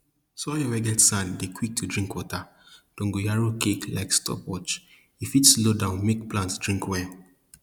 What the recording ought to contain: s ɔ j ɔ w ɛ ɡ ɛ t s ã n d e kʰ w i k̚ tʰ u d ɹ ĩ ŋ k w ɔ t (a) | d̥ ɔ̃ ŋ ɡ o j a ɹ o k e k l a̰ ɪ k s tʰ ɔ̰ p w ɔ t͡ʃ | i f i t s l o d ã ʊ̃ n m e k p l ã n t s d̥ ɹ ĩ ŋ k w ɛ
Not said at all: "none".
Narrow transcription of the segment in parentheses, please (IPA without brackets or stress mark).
a